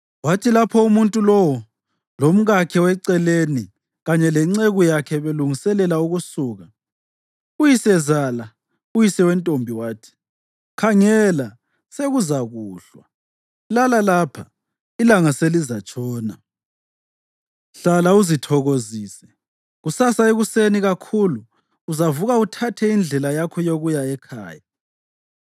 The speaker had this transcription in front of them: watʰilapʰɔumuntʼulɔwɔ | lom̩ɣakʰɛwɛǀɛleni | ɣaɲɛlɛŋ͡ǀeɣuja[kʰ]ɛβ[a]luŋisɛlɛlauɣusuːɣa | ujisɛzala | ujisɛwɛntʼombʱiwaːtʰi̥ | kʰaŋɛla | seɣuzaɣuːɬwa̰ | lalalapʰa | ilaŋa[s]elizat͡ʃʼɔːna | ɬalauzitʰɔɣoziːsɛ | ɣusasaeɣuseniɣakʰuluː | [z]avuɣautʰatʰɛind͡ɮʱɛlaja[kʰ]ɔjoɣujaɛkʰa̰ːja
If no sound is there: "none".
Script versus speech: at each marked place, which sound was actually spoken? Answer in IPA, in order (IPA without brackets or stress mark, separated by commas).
kʰ, e, s, z, kʰ